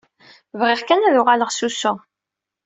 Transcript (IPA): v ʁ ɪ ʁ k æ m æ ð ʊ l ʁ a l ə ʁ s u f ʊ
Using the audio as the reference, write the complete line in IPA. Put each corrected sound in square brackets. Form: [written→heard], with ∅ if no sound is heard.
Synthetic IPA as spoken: v ʁ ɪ ʁ k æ [m→n] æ ð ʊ [l→∅] ʁ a l ə ʁ s u [f→s] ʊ